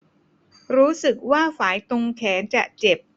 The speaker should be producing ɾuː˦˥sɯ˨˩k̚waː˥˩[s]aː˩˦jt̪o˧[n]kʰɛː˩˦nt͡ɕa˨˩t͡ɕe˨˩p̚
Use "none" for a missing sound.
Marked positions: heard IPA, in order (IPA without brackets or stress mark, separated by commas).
f, ŋ